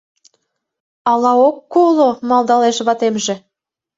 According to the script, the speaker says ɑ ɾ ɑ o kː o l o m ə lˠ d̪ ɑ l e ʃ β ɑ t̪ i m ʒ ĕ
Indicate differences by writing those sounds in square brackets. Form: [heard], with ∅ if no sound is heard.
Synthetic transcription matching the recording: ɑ [l] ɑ o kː o l o m [ɑ] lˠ d̪ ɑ l e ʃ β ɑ t̪ [e] m ʒ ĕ

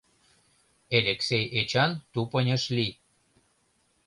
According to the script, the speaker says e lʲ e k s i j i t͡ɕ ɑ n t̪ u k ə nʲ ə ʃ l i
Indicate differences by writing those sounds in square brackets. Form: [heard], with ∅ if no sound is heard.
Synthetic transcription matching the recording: e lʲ e k s [e] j [e] t͡ɕ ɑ n t̪ u [p] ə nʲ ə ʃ l i

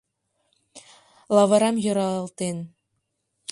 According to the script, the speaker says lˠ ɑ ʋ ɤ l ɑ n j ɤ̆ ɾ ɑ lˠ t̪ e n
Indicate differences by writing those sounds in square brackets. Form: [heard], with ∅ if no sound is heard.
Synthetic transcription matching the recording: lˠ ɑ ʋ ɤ [ɾ] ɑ [m] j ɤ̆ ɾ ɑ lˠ t̪ e n

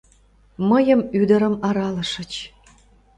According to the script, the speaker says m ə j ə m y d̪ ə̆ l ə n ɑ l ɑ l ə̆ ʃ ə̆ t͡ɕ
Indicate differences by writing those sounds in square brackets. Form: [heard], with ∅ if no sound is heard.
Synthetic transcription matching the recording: m ə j ə m y d̪ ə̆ [ɾ] ə [m] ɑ [ɾ] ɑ l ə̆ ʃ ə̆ t͡ɕ

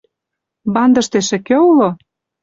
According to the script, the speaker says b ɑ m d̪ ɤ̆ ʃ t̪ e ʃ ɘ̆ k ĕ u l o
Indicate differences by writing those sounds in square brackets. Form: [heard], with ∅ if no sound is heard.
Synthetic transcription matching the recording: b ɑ [n] d̪ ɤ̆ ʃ t̪ e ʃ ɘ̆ k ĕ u l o

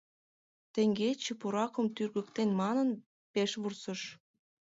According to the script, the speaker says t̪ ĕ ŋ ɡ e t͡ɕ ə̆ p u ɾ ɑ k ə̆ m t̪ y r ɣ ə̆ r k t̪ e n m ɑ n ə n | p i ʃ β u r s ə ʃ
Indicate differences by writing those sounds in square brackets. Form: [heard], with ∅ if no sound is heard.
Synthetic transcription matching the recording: t̪ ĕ ŋ ɡ e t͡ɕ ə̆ p u ɾ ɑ k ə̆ m t̪ y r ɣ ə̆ [∅] k t̪ e n m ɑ n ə n | p [e] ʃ β u r s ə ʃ

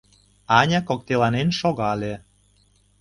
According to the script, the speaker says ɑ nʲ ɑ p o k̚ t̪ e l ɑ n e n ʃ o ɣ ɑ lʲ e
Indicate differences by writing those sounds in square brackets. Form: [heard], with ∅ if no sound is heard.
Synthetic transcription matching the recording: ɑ nʲ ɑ [k] o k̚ t̪ e l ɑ n e n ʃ o ɣ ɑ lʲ e

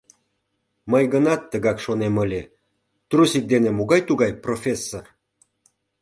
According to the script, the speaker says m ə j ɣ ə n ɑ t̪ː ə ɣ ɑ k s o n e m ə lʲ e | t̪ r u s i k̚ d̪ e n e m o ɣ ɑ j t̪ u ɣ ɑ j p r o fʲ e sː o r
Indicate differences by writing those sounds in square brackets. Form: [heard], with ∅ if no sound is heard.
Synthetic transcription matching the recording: m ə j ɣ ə n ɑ t̪ː ə ɣ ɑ k [ʃ] o n e m ə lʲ e | t̪ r u s i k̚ d̪ e n e m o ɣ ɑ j t̪ u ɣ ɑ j p r o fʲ e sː o r

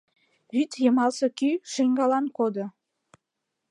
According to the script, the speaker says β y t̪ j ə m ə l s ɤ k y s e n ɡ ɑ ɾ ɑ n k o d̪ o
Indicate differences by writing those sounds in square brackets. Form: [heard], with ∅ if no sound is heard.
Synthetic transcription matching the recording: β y t̪ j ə m [ɑ] l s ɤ k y [ʃ] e [ŋ] ɡ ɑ [l] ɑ n k o d̪ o

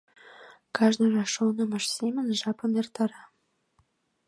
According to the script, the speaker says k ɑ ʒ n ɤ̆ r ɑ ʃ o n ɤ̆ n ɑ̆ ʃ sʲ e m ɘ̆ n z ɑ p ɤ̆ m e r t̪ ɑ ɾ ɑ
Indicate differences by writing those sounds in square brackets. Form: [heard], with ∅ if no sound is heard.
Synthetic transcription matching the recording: k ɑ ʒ n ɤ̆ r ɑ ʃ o n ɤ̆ [m] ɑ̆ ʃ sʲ e m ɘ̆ n [ʒ] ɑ p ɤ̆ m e r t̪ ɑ ɾ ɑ

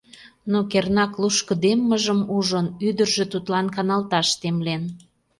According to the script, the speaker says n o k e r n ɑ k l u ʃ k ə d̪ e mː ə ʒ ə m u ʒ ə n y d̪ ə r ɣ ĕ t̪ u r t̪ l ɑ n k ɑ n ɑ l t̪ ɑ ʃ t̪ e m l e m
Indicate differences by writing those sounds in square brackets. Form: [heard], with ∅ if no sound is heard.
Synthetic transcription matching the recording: n o k e r n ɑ k l u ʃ k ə d̪ e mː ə ʒ ə m u ʒ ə n y d̪ ə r [ʒ] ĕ t̪ u [∅] t̪ l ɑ n k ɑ n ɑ l t̪ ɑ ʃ t̪ e m l e [n]

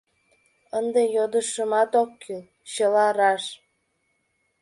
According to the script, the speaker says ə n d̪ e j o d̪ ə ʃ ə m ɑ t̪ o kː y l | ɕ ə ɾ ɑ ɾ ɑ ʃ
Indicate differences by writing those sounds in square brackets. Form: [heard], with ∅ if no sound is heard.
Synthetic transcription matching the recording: ə n d̪ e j o d̪ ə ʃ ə m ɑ t̪ o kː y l | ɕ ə [l] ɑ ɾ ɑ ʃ

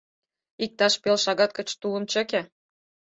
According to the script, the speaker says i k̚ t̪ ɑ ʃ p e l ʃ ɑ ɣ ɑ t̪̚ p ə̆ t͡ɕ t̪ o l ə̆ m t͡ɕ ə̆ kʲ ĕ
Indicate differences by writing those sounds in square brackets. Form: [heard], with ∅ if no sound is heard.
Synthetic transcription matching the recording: i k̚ t̪ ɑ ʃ p e l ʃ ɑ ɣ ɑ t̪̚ [k] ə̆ t͡ɕ t̪ [u] l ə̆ m t͡ɕ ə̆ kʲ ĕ

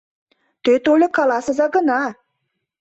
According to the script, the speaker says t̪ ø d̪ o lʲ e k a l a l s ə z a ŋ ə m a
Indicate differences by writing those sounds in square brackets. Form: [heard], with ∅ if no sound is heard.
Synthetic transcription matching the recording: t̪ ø [t̪] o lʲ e k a l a [∅] s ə z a [ɡ] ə [n] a

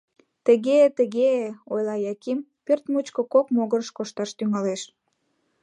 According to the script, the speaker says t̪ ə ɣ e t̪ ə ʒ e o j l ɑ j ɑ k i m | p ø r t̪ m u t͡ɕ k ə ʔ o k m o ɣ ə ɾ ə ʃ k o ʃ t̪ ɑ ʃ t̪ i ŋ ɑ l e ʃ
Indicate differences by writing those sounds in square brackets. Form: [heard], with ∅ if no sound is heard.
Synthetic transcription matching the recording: t̪ ə ɣ e t̪ ə [ɣ] e o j l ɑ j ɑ k i m | p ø r t̪ m u t͡ɕ k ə [k] o k m o ɣ ə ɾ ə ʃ k o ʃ t̪ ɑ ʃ t̪ [y] ŋ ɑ l e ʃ

